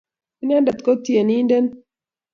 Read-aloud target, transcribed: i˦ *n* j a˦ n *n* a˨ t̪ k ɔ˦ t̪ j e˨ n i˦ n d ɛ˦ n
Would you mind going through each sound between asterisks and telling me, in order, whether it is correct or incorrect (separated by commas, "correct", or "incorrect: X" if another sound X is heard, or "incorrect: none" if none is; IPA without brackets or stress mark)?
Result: correct, incorrect: d